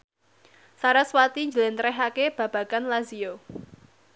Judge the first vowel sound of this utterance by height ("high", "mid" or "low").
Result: low